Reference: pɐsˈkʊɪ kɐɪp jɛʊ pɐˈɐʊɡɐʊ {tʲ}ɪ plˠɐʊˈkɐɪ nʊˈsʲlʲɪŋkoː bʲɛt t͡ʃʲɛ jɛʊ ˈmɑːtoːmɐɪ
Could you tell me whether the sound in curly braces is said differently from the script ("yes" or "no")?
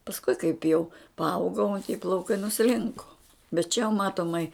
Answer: no